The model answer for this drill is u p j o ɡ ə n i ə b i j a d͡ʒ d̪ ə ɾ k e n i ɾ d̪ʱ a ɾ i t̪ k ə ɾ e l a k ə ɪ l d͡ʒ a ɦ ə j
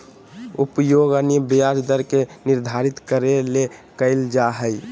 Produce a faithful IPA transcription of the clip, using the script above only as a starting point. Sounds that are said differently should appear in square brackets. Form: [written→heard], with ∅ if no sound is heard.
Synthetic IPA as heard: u p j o ɡ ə n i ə b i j a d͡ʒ d̪ ə ɾ k e n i ɾ d̪ʱ a ɾ i t̪ k ə ɾ e l [a→e] k ə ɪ l d͡ʒ a ɦ ə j